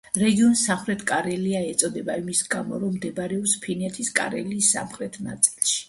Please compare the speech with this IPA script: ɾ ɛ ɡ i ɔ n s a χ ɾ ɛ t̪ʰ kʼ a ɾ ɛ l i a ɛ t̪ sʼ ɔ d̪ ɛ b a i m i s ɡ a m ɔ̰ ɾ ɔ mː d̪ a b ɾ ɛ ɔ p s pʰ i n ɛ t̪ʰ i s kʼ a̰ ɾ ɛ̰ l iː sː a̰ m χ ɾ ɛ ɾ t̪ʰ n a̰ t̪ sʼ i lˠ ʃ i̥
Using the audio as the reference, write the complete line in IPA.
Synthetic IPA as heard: ɾ ɛ ɡ i ɔ n s a χ ɾ ɛ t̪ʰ kʼ a ɾ ɛ l i a ɛ t̪ sʼ ɔ d̪ ɛ b a i m i s ɡ a m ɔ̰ ɾ ɔ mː d̪ ɛ b ɾ ɛ ɔ p s pʰ i n ɛ t̪ʰ i s kʼ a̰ ɾ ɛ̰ l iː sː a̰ m χ ɾ ɛ t̪ʰ n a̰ t̪ sʼ i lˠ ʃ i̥